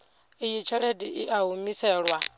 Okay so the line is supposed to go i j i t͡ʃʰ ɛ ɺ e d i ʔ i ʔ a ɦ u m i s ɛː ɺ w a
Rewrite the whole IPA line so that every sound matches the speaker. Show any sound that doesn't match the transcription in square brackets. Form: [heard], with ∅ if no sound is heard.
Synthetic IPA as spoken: i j i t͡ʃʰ ɛ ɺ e d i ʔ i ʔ a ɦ u m i s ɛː ɺ w a